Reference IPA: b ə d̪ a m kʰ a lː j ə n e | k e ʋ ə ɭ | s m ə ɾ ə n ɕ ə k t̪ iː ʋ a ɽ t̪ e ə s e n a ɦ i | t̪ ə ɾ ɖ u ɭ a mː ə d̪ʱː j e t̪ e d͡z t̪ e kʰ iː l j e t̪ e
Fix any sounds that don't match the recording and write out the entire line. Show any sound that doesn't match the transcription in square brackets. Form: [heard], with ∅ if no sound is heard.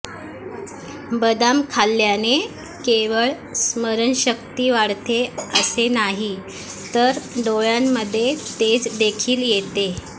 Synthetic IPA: b ə d̪ a m kʰ a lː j [a] n e | k e ʋ ə ɭ | s m ə ɾ ə n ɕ ə k t̪ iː ʋ a ɽ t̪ e ə s e n a ɦ i | t̪ ə ɾ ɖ [o] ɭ a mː ə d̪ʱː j e t̪ e d͡z [d̪] e kʰ iː l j e t̪ e